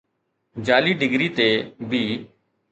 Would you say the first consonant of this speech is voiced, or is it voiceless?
voiced